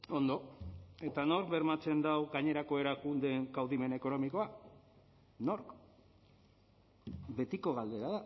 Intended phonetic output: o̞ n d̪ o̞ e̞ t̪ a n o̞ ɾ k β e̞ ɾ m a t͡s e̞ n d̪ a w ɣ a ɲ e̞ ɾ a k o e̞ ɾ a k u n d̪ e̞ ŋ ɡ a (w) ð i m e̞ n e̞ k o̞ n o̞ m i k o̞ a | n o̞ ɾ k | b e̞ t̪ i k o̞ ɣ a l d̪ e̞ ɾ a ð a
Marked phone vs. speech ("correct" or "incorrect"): correct